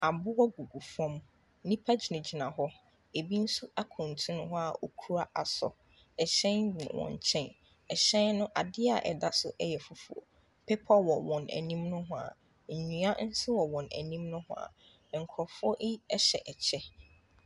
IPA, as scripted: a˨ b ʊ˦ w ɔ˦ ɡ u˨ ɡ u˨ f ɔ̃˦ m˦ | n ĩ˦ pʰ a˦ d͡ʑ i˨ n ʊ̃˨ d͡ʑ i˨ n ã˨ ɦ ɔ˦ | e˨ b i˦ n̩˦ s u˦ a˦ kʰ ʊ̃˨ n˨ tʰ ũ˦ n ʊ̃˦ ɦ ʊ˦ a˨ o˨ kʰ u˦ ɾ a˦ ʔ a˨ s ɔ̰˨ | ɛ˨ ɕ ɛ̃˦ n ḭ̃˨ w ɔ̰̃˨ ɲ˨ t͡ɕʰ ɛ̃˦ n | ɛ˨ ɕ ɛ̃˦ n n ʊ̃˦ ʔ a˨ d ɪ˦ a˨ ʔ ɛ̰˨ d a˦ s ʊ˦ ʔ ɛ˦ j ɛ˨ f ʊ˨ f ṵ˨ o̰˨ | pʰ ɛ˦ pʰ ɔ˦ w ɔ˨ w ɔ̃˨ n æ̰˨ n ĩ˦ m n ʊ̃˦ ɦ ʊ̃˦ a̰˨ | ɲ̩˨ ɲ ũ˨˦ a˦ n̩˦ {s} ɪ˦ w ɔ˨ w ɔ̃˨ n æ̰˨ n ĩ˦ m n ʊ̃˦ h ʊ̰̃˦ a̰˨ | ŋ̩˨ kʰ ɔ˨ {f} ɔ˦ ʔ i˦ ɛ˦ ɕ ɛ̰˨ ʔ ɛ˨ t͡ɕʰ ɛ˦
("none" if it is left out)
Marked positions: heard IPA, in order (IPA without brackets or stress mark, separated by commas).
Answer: s, f